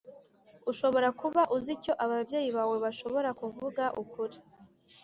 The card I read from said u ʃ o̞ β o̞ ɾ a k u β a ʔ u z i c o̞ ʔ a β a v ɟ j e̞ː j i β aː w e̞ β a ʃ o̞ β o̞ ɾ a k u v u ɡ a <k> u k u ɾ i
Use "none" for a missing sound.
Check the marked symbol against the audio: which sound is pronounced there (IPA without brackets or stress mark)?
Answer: ʔ